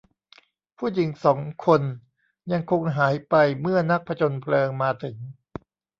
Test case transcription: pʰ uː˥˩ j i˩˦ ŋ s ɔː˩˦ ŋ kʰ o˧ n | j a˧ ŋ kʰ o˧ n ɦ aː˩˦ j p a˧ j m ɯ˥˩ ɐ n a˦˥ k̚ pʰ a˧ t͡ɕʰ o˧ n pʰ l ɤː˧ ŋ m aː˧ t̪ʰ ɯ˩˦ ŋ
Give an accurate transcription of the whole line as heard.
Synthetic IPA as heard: pʰ uː˥˩ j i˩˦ ŋ s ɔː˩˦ ŋ kʰ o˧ n | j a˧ ŋ kʰ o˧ ŋ ɦ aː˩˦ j p a˧ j m ɯ˥˩ ɐ n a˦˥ k̚ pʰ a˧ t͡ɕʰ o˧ n pʰ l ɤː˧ ŋ m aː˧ t̪ʰ ɯ˩˦ ŋ